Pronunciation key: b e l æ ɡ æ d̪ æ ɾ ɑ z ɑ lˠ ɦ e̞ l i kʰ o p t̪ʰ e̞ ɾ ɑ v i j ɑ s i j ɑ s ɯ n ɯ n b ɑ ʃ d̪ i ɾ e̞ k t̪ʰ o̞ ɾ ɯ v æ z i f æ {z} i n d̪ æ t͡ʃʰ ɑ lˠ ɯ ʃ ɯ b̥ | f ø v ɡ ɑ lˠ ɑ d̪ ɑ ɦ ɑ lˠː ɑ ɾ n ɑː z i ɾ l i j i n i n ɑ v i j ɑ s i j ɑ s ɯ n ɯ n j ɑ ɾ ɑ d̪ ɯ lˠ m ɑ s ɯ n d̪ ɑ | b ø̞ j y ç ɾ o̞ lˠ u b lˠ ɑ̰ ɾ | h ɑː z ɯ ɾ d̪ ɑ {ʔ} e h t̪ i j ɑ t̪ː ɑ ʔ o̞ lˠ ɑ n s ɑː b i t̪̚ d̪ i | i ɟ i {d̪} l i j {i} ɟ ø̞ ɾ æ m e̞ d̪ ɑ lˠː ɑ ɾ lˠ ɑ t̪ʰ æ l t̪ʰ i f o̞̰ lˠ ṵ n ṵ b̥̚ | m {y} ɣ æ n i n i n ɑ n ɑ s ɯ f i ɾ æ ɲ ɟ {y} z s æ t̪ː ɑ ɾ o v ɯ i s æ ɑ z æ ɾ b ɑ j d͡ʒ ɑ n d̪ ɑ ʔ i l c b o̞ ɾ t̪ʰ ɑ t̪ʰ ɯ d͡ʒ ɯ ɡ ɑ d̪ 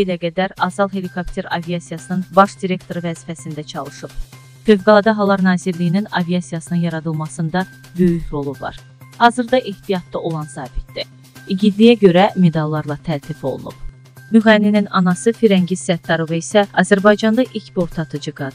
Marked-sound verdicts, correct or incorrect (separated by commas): incorrect, correct, correct, incorrect, correct, incorrect